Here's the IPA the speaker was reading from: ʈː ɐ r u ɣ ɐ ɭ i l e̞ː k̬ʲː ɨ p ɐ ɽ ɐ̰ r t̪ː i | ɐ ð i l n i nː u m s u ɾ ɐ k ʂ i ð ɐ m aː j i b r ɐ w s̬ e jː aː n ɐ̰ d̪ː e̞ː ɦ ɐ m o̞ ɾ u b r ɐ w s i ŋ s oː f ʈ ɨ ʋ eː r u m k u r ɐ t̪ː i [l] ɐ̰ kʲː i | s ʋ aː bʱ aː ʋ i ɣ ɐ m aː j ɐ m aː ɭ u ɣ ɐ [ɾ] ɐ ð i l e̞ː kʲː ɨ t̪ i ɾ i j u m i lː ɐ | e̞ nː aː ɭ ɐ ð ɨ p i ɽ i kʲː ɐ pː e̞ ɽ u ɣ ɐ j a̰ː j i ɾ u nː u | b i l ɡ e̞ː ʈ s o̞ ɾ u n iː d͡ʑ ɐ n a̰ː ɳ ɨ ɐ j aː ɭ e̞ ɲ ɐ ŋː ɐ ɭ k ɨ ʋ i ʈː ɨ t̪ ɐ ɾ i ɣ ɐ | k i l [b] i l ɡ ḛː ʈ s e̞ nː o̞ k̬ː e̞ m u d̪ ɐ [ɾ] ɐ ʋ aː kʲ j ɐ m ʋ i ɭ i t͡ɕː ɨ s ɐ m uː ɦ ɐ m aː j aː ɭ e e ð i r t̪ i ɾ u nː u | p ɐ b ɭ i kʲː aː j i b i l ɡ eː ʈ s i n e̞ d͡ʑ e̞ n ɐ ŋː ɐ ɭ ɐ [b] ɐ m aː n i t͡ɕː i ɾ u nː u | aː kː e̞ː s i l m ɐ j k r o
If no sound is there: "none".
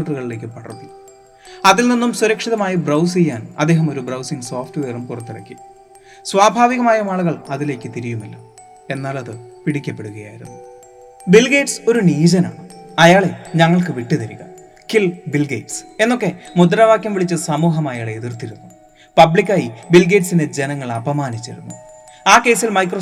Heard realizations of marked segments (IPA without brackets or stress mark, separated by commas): ɽ, ɭ, b, ɾ, b